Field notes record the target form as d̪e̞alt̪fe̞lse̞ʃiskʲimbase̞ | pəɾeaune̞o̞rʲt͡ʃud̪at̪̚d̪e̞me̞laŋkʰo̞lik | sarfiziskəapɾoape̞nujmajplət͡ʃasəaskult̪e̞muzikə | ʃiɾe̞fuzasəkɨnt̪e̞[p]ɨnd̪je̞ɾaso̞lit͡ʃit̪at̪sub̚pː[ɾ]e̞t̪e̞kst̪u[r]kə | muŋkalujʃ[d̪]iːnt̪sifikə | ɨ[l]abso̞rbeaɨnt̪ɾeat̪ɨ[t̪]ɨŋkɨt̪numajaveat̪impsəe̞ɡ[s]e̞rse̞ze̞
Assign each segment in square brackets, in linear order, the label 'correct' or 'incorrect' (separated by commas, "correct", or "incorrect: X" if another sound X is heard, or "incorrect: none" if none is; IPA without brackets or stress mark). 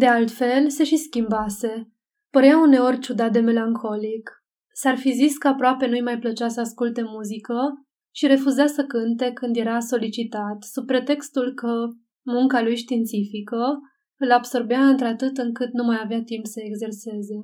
incorrect: k, correct, incorrect: l, incorrect: t̪, correct, correct, incorrect: z